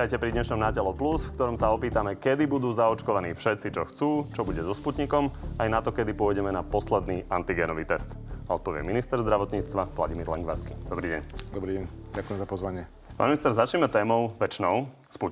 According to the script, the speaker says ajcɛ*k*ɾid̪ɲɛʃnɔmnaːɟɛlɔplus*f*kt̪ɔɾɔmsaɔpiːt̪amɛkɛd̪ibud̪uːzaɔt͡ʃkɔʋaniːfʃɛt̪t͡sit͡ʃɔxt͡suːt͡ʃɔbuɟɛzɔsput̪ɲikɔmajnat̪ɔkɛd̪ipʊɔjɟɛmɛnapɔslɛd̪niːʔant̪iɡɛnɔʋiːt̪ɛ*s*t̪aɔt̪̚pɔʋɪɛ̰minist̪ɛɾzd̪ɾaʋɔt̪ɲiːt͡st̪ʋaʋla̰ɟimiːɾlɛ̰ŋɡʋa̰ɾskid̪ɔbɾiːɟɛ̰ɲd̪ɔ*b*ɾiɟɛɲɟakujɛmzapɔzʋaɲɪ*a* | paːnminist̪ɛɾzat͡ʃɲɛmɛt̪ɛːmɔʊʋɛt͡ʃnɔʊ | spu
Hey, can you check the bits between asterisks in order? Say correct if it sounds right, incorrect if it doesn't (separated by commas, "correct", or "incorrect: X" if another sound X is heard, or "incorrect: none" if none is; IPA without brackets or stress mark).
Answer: incorrect: p, correct, correct, correct, incorrect: ɛ